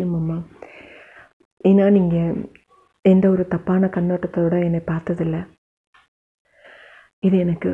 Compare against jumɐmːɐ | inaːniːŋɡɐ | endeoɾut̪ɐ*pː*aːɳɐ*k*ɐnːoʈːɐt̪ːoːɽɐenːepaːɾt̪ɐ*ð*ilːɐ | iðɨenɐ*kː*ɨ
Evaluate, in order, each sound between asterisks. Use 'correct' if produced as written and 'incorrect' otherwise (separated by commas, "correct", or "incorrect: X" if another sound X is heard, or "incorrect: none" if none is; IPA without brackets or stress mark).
correct, correct, correct, correct